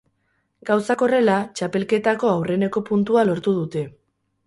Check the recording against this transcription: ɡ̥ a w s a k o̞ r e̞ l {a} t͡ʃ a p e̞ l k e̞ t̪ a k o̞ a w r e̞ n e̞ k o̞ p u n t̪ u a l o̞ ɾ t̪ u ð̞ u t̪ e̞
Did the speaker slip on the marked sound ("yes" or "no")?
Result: no